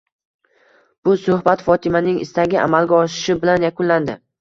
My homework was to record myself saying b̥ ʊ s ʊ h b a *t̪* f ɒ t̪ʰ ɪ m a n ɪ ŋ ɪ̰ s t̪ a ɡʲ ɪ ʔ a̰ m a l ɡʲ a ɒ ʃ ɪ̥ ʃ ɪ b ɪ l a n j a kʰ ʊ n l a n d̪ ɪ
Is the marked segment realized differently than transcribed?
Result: no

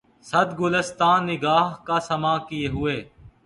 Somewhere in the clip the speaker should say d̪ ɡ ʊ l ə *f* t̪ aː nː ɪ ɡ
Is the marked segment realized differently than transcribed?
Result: yes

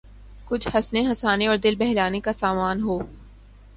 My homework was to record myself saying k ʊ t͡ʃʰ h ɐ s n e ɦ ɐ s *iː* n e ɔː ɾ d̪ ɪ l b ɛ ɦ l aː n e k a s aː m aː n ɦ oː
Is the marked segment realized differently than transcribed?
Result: yes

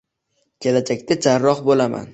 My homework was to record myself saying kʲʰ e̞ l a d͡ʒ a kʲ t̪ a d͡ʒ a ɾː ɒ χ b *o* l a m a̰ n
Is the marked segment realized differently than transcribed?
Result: no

